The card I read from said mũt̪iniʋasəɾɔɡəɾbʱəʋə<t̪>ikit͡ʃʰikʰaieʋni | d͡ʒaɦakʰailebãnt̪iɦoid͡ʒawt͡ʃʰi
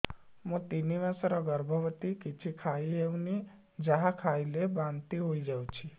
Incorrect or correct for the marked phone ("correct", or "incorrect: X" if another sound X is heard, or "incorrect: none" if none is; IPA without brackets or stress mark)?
correct